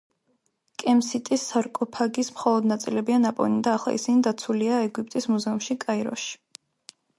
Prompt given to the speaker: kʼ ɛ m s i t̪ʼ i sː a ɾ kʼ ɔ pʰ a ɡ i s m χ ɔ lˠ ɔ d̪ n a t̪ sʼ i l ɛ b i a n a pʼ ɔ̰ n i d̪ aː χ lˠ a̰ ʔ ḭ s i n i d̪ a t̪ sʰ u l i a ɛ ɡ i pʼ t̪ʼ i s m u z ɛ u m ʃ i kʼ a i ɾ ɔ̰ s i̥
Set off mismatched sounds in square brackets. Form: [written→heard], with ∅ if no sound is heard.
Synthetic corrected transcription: kʼ ɛ m s i t̪ʼ i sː a ɾ kʼ ɔ pʰ a ɡ i s m χ ɔ lˠ ɔ d̪ n a t̪ sʼ i l ɛ b i a n a pʼ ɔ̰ n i d̪ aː χ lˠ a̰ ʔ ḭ s i n i d̪ a t̪ sʰ u l i a ɛ ɡ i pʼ t̪ʼ i s m u z ɛ u m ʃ i kʼ a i ɾ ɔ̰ [s→ʃ] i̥